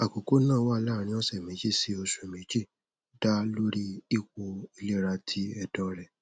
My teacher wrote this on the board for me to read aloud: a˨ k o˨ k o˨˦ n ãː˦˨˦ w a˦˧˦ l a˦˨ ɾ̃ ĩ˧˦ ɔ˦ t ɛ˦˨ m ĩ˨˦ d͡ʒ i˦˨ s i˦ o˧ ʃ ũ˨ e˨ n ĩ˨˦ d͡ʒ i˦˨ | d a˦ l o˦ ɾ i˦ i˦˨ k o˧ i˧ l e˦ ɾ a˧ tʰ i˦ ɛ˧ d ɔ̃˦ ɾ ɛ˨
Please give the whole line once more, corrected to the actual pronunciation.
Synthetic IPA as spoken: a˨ k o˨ k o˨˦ n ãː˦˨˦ w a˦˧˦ l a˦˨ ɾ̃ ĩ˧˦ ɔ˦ s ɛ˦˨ m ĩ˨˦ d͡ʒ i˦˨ s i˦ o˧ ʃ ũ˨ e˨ m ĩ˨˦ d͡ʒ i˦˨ | d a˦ l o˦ ɾ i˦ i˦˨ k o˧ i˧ l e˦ ɾ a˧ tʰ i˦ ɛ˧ d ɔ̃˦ ɾ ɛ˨